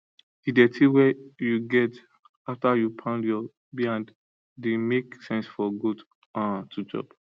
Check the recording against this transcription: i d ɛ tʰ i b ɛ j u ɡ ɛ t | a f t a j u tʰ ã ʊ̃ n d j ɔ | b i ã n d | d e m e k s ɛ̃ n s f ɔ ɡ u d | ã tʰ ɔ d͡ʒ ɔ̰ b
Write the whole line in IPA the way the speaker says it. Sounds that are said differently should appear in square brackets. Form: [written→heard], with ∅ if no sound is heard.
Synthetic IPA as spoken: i d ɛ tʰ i [b→w] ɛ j u ɡ ɛ t | a f t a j u [tʰ→pʰ] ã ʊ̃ n d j ɔ | b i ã n d | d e m e k s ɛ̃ n s f ɔ ɡ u d | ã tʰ [ɔ→u] d͡ʒ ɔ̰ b